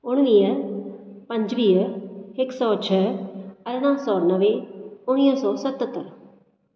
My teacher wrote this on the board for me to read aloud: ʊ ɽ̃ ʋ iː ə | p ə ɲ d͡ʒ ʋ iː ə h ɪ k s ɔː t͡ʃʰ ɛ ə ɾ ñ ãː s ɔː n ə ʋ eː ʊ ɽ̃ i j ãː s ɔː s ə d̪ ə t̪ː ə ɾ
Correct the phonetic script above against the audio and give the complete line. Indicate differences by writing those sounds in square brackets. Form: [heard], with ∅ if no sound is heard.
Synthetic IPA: ʊ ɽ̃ ʋ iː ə | p ə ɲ d͡ʒ ʋ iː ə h ɪ k s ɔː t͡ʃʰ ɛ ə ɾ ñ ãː s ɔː n ə ʋ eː ʊ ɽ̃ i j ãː s ɔː s ə [t̪] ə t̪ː ə ɾ